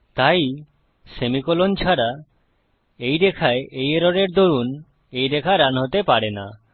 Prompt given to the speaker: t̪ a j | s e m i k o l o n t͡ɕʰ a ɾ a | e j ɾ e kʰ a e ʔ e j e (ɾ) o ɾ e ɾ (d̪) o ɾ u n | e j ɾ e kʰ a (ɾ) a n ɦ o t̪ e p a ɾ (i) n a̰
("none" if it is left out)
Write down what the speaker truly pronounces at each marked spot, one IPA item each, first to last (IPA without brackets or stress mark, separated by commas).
ɾ, d̪, ɾ, e